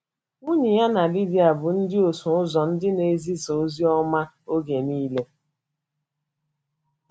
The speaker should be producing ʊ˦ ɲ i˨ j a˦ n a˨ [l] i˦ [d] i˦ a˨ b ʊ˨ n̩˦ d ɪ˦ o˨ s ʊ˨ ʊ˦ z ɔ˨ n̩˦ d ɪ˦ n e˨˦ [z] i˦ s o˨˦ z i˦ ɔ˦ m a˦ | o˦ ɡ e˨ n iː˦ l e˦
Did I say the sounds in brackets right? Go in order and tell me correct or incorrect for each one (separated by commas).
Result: correct, correct, correct